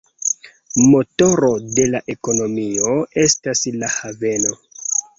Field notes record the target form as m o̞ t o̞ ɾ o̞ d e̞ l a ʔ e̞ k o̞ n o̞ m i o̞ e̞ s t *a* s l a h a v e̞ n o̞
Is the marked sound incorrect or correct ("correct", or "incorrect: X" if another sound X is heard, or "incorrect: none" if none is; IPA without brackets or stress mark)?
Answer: correct